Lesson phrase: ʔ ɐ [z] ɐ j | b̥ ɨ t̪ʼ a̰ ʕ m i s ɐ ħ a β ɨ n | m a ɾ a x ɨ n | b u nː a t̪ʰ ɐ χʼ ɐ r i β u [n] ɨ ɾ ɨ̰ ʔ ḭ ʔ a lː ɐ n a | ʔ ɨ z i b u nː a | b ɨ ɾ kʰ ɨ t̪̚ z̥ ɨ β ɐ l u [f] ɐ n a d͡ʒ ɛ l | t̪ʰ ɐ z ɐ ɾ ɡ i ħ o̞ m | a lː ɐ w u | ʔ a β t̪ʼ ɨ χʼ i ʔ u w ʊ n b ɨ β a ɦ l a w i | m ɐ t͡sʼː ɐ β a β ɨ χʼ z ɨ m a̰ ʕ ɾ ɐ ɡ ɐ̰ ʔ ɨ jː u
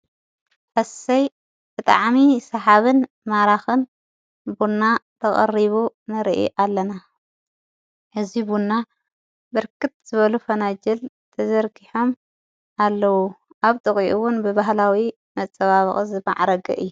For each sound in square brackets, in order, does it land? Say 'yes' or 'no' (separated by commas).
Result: no, yes, yes